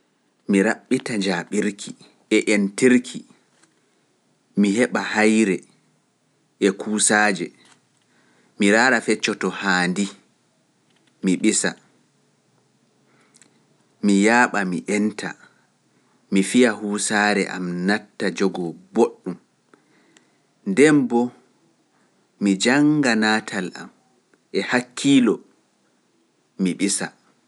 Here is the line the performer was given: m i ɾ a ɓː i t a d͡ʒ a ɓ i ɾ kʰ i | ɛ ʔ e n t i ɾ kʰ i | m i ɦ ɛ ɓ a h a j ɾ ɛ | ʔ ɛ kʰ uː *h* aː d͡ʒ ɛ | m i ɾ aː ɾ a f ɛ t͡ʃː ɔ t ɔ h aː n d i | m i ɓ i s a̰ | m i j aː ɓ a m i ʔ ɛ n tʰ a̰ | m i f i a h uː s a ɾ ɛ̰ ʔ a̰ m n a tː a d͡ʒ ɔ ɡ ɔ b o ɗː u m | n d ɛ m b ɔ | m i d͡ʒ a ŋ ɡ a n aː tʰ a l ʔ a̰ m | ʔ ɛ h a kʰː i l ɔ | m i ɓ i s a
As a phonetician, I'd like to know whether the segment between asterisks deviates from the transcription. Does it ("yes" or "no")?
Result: yes